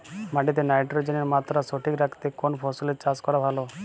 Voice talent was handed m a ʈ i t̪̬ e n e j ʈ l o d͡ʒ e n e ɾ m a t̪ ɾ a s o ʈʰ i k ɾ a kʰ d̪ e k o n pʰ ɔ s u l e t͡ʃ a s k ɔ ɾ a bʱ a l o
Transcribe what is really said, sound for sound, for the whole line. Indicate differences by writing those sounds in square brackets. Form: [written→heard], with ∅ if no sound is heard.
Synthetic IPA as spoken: m a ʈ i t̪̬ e n [e→a] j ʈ [l→ɾ] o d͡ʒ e n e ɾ m a t̪ ɾ a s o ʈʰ i k ɾ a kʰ [d̪→t̪] e k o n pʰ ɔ s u l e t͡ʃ a s k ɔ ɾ a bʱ a l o